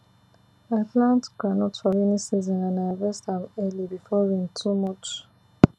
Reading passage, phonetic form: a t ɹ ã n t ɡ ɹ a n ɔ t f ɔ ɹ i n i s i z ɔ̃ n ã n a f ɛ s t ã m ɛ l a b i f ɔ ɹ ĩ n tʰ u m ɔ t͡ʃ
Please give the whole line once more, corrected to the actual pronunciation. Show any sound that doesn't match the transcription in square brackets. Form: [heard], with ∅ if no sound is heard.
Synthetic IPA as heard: a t [l] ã n t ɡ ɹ a n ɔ t f ɔ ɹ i n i s i z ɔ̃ n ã n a [v] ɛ s t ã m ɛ l [i] b i f ɔ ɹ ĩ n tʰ u m ɔ t͡ʃ